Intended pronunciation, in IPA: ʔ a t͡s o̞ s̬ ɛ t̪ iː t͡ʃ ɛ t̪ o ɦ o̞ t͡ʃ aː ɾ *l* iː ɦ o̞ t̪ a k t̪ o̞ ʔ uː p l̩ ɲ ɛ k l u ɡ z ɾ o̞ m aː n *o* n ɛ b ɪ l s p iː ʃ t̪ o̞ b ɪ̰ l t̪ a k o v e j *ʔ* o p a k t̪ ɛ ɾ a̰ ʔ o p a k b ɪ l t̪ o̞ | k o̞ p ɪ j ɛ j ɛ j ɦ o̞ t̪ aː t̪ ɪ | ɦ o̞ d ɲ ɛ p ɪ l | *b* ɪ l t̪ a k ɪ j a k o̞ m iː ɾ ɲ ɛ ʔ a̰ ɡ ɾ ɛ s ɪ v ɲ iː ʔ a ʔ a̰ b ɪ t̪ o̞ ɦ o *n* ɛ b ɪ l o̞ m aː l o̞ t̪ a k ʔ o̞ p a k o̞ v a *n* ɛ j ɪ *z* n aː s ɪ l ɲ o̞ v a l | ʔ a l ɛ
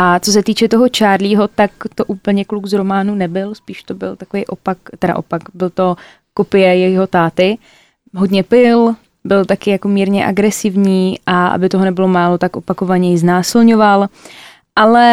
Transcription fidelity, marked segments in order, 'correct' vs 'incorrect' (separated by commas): correct, incorrect, correct, correct, correct, incorrect, correct